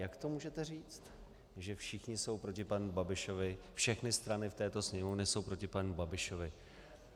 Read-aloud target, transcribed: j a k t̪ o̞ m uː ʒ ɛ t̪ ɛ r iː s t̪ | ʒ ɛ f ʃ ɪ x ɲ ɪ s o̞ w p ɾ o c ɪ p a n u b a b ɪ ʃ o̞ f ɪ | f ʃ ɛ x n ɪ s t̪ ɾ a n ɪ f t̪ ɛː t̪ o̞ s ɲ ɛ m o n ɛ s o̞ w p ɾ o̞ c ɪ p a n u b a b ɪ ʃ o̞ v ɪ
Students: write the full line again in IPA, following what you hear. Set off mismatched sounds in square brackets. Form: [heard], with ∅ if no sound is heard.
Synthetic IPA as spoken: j a k t̪ o̞ m uː ʒ ɛ t̪ ɛ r iː [t͡s] t̪ | ʒ ɛ f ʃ ɪ x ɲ ɪ s o̞ w p ɾ o c ɪ p a n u b a b ɪ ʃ o̞ [v] ɪ | f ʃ ɛ x n ɪ s t̪ ɾ a n ɪ f t̪ ɛː t̪ o̞ s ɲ ɛ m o n ɛ s o̞ w p ɾ o̞ c ɪ p a n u b a b ɪ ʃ o̞ v ɪ